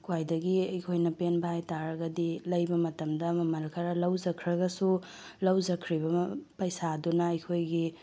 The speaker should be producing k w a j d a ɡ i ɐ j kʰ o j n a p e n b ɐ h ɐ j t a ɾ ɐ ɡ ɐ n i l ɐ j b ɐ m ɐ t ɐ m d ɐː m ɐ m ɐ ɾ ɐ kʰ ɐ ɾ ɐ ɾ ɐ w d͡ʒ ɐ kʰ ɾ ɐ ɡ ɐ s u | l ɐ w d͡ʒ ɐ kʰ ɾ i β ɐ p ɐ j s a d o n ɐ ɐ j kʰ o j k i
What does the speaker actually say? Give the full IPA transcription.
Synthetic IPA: k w a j d ɐ ɡ i ɐ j kʰ o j n ɐ p e n b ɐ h a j t a ɾ ɐ ɡ ɐ d i l ɐ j b ɐ m ɐ t ɐ m d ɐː m ɐ m ɐ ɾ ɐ kʰ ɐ ɾ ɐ l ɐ w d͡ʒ ɐ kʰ ɾ ɐ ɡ ɐ s u | l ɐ w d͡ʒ ɐ kʰ ɾ i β ɐ p ɐ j s a d u n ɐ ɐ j kʰ o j ɡ i